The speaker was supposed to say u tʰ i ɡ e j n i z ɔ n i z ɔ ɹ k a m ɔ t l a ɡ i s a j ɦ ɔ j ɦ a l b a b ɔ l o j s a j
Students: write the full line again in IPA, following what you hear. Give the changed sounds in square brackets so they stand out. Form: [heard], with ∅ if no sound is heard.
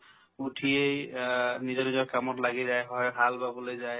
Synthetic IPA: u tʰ i [∅] e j n i z ɔ n i z ɔ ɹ k a m ɔ t l a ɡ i [z] a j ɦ ɔ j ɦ a l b a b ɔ l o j [z] a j